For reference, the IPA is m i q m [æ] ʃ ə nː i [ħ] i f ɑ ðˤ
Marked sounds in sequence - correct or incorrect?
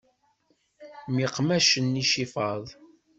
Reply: correct, incorrect: ʃ

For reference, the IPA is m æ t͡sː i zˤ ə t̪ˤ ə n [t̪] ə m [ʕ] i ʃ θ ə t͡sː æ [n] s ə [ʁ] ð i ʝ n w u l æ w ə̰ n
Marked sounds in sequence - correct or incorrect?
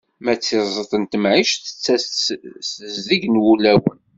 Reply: correct, correct, incorrect: none, incorrect: z

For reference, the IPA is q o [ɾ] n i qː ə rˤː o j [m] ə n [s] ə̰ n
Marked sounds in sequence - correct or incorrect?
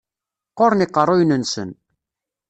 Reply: correct, incorrect: n, correct

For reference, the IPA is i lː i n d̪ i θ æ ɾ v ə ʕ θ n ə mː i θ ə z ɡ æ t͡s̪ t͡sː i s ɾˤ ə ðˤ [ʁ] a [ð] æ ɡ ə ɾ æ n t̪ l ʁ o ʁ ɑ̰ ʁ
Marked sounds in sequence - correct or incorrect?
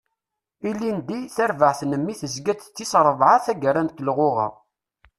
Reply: incorrect: ʕ, incorrect: θ

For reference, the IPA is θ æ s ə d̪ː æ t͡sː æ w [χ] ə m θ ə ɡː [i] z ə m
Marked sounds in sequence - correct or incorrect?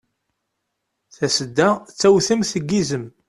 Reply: incorrect: θ, correct

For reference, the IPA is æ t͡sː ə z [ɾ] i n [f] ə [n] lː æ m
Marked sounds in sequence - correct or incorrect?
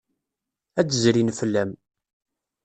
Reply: correct, correct, incorrect: none

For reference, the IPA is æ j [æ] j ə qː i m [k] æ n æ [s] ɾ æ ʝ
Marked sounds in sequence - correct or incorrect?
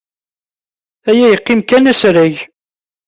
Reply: correct, correct, correct

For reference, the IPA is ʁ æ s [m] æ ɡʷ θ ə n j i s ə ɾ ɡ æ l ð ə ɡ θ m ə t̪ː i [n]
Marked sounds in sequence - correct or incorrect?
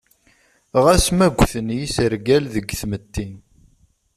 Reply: correct, correct

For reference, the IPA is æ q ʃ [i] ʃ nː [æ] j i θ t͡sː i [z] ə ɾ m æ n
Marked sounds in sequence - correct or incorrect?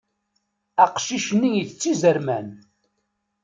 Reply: correct, incorrect: i, correct

